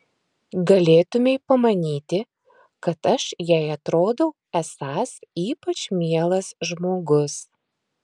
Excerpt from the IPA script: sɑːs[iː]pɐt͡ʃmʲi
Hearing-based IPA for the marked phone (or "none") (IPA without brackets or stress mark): iː